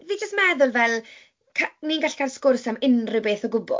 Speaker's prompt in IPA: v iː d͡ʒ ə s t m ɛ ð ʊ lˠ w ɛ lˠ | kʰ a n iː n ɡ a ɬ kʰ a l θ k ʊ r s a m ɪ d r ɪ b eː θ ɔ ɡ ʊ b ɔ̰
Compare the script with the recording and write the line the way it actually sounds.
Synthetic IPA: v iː d͡ʒ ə s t m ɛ ð ʊ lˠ v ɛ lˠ | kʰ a n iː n ɡ a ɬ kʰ a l s k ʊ r s a m ɪ n r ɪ b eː θ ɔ ɡ ʊ b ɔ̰